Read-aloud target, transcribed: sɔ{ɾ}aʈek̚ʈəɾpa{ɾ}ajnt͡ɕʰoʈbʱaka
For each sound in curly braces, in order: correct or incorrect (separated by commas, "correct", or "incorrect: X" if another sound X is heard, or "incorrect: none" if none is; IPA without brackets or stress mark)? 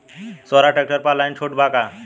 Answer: correct, incorrect: l